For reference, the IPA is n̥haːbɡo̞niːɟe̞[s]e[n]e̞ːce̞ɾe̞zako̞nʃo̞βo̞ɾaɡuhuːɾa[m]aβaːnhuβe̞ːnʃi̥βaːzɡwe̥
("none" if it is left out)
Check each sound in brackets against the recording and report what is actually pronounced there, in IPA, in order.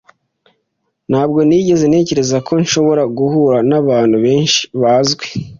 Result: z, n, n

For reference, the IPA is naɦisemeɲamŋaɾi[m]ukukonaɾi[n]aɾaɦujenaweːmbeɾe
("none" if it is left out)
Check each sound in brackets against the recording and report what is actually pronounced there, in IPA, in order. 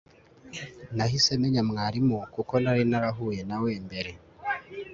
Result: m, n

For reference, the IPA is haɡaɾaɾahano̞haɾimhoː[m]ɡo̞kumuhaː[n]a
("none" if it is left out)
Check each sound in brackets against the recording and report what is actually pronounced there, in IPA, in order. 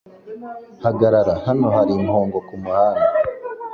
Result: ŋ, n

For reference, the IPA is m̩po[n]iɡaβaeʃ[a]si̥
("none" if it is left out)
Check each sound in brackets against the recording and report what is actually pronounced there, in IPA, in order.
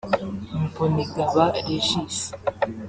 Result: n, i

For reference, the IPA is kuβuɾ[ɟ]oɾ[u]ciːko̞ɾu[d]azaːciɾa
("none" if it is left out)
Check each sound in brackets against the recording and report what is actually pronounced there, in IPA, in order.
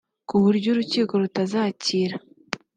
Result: ɟ, u, t

